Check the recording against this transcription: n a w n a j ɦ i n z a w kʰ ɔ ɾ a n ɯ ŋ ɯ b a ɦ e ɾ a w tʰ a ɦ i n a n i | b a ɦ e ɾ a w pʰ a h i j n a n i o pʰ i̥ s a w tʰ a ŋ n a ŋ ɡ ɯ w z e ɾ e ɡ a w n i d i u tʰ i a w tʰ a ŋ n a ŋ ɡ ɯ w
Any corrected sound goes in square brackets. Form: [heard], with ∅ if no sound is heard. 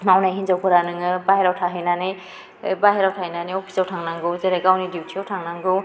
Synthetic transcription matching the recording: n a w n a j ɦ i n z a w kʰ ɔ ɾ a n ɯ ŋ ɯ b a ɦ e ɾ a w tʰ a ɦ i n a n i | b a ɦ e ɾ a w [tʰ] a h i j n a n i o pʰ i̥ s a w tʰ a ŋ n a ŋ ɡ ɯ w z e ɾ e ɡ a w n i d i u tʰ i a w tʰ a ŋ n a ŋ ɡ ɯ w